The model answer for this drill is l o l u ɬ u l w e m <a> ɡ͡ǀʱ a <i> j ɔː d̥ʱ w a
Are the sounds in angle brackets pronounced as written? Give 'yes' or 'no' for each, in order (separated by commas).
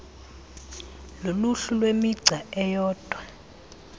no, no